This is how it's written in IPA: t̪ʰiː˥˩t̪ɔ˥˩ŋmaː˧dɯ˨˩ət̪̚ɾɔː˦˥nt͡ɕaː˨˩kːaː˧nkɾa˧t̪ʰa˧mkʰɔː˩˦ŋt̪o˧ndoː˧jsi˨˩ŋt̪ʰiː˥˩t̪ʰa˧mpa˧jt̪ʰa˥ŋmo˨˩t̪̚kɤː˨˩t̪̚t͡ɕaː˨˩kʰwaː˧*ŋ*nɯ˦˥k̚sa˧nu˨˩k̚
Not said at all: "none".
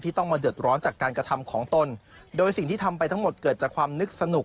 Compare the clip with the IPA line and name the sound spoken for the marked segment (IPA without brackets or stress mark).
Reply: m